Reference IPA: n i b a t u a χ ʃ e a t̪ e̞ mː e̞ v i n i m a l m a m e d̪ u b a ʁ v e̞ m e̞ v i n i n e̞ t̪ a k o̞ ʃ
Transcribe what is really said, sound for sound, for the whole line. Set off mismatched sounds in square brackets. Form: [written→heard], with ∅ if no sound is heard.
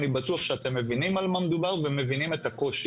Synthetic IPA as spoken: n i b a t u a χ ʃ e a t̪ e̞ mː e̞ v i n i m a l m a m e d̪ u b a ʁ v e̞ m e̞ v i n i [n→m] e̞ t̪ a k o̞ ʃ